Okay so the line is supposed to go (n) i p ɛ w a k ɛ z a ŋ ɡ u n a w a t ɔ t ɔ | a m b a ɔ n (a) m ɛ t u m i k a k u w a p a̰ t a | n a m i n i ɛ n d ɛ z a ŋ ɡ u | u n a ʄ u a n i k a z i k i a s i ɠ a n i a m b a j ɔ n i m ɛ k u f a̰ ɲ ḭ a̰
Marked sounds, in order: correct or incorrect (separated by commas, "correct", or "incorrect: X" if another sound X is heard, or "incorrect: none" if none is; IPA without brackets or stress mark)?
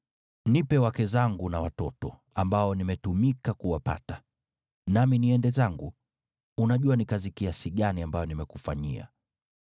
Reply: correct, incorrect: i